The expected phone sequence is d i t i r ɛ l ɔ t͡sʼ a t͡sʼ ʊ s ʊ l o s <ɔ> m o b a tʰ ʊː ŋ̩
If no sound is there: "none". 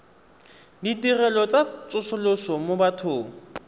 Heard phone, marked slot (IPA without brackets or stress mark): ɔ